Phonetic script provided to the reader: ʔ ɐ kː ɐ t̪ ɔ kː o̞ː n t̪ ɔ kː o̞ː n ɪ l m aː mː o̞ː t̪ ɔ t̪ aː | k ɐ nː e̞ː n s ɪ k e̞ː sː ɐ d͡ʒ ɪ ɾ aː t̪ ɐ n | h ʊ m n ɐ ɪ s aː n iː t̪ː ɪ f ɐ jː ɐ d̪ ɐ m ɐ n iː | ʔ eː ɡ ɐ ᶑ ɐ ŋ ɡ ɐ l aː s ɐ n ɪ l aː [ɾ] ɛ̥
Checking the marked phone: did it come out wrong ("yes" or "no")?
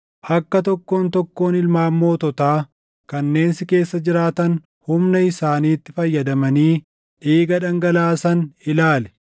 yes